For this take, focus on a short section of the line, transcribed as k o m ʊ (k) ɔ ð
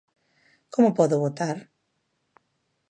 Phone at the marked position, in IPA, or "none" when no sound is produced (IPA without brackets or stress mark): p